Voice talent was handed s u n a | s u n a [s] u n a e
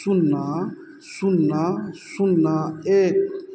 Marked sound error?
no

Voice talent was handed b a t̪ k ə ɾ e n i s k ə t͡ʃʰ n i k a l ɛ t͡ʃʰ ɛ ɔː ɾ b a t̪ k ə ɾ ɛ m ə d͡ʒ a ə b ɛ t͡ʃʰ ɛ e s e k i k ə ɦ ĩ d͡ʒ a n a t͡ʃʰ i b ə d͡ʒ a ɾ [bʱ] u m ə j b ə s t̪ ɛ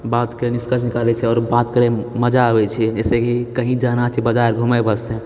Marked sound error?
yes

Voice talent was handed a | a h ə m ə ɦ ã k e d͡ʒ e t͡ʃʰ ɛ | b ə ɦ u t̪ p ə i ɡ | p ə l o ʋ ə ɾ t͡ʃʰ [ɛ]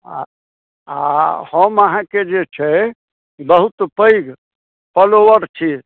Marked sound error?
yes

